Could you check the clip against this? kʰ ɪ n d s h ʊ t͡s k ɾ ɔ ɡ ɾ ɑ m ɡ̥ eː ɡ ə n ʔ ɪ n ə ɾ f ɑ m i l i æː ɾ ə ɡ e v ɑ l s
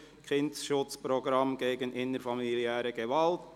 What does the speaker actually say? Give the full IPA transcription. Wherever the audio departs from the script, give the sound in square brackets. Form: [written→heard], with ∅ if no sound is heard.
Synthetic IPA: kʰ ɪ n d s [h→ʃ] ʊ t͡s [k→p] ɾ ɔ ɡ ɾ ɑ m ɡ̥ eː ɡ ə n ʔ ɪ n ə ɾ f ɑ m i l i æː ɾ ə ɡ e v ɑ l [s→t]